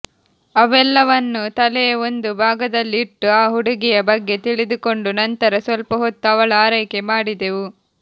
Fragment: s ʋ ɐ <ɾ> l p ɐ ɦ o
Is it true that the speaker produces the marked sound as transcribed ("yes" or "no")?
no